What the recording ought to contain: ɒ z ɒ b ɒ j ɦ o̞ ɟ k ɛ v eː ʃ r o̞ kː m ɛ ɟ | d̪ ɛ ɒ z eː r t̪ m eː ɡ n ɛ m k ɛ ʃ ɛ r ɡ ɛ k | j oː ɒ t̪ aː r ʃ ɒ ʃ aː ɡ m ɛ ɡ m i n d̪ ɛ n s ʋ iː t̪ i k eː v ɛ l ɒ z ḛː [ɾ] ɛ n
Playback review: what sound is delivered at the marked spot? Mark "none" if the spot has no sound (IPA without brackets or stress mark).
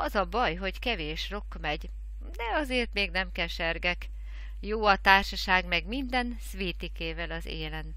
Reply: l